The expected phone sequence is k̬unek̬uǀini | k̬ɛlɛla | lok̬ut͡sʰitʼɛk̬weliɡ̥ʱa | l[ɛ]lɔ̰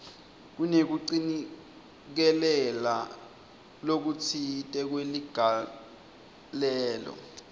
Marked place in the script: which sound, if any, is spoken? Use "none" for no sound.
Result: ɛː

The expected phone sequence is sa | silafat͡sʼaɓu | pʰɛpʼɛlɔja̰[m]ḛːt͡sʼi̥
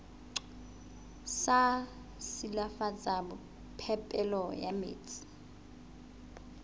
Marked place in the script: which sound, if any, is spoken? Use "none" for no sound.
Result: m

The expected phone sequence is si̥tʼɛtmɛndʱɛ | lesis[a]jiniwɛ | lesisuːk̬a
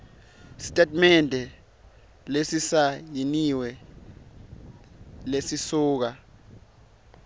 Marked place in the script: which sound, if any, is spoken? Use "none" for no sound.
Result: a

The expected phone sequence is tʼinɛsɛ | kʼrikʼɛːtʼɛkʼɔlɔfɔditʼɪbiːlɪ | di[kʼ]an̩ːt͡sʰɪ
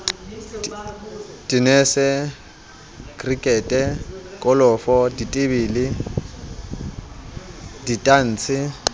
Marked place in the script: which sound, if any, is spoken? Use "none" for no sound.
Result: tʼ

